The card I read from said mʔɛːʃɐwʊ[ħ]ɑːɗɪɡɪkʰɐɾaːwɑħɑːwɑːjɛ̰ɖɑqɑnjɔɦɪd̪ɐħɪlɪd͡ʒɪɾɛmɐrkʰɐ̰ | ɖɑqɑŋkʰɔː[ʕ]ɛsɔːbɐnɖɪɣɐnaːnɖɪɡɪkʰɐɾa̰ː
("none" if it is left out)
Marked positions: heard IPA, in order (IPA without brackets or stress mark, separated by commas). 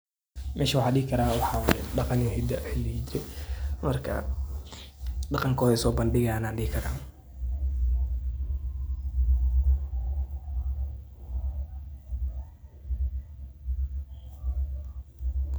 ħ, ð